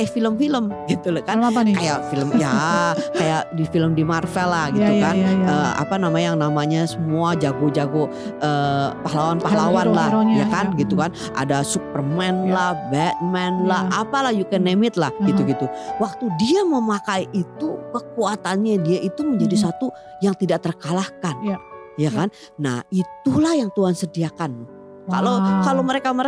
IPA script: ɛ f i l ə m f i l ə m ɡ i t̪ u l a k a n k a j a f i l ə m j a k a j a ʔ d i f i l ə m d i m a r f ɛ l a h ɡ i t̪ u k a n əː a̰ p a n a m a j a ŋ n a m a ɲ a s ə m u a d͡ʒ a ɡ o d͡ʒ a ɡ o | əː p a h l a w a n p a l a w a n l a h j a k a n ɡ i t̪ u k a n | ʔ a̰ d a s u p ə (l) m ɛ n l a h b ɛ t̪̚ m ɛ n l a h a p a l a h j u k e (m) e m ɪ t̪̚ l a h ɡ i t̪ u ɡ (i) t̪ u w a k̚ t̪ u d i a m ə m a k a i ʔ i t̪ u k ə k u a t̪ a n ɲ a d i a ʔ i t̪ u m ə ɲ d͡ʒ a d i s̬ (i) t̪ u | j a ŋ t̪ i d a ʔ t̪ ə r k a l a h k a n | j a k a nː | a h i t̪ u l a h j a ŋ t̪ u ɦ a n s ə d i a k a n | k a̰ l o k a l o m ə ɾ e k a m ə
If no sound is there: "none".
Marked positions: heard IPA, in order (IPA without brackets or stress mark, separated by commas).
r, n, i, a